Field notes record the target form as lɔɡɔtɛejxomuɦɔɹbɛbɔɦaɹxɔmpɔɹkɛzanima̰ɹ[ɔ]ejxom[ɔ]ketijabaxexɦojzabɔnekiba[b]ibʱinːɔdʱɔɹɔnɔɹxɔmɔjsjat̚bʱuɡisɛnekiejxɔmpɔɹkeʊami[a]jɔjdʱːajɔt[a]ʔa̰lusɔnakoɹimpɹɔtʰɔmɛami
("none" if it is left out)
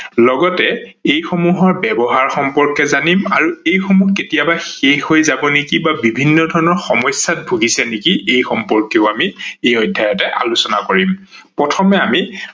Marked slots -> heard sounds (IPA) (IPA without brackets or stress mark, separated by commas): u, u, b, e, ɛ